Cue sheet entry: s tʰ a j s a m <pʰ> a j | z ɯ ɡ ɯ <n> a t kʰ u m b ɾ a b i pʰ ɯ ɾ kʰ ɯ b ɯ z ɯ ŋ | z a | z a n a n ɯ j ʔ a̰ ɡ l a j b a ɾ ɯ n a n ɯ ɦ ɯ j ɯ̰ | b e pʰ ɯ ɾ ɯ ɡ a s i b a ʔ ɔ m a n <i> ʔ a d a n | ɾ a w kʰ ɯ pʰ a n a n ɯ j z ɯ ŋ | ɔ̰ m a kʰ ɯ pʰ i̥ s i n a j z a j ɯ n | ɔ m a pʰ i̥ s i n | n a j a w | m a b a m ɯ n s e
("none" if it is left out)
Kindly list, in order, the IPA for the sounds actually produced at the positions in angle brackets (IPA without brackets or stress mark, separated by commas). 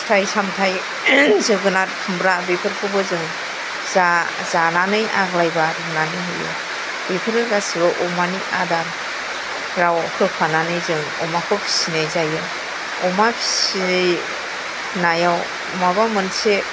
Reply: tʰ, n, i